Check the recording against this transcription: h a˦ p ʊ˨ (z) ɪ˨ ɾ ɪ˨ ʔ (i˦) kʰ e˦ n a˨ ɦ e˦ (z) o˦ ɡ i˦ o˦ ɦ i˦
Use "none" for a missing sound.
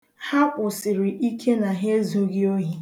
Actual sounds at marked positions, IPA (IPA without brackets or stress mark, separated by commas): s, i˦, z